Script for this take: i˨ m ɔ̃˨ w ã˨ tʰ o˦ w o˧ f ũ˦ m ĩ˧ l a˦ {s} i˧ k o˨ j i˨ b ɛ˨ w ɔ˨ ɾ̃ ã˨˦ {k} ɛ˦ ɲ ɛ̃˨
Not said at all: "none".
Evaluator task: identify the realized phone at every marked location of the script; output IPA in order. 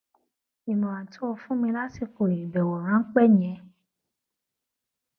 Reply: s, k͡p

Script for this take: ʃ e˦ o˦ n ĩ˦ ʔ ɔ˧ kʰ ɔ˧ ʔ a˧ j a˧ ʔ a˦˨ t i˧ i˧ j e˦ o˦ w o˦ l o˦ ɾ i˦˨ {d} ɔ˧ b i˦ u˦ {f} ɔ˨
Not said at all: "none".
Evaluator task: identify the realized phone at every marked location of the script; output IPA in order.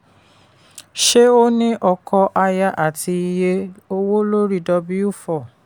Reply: d, f

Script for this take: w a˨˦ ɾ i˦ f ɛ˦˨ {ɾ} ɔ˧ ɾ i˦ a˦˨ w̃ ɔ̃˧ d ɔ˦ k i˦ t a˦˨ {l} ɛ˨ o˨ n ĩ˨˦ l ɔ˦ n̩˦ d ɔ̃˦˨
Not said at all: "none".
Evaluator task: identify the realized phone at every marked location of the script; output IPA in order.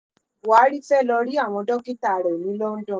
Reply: l, ɾ

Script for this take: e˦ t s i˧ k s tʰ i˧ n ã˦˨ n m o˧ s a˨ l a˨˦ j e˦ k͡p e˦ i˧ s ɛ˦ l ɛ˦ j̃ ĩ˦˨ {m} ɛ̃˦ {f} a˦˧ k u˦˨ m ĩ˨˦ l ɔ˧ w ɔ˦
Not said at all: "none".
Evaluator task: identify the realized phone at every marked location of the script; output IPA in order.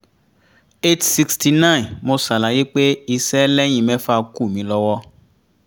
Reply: m, f

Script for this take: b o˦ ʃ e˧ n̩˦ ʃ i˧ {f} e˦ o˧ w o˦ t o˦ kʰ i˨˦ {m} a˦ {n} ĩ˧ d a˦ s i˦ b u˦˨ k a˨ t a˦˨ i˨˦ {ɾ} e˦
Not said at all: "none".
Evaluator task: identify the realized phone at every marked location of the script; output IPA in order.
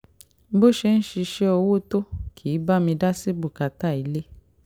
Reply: ʃ, b, m, l

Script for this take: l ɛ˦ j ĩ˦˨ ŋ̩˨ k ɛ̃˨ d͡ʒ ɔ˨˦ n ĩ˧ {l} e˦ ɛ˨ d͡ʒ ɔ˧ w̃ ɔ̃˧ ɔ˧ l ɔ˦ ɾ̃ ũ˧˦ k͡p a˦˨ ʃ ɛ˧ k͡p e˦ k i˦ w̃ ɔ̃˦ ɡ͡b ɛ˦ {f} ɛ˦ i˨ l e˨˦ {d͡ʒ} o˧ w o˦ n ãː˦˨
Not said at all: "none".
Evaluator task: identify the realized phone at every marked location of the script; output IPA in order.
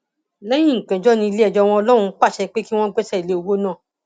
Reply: l, s, none

